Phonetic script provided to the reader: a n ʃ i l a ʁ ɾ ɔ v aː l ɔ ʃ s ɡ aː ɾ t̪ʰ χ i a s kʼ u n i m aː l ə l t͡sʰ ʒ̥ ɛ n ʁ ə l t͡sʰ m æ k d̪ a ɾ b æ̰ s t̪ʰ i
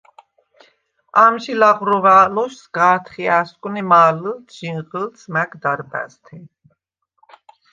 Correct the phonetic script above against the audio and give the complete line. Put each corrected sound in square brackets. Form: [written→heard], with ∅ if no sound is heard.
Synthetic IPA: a [n→m] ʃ i l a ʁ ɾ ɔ v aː l ɔ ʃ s ɡ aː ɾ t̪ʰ χ i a s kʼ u n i m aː l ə l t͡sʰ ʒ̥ [ɛ→i] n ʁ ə l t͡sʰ m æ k d̪ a ɾ b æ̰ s t̪ʰ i